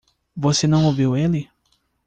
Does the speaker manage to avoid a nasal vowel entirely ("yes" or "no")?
no